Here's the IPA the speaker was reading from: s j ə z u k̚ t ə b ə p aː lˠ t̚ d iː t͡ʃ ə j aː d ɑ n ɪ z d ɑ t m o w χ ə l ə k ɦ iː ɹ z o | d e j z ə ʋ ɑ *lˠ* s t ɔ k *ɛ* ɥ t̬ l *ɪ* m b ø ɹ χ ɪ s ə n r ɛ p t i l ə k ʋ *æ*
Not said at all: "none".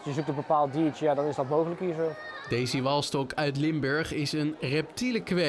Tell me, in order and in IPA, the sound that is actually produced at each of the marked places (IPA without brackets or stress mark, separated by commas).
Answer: lˠ, œ, ɪ, ɛ